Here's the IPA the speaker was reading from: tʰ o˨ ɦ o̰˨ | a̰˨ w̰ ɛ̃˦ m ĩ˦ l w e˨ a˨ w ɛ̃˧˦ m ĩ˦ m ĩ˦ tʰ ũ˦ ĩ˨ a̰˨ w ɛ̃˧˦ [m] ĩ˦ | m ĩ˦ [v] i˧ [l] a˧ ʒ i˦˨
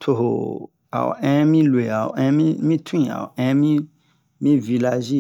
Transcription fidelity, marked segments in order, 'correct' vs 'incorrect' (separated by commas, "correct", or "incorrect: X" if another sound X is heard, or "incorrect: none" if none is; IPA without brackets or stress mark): correct, correct, correct